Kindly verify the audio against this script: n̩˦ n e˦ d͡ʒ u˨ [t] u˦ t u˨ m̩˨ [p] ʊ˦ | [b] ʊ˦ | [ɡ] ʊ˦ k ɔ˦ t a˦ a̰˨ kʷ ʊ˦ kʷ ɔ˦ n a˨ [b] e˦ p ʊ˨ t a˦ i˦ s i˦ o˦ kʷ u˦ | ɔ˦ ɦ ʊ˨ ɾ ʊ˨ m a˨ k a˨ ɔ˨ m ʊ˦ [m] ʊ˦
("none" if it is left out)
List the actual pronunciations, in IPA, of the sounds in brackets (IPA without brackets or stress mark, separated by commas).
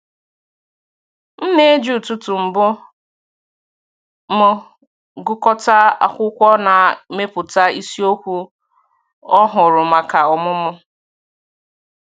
t, b, m, ɡ, m, m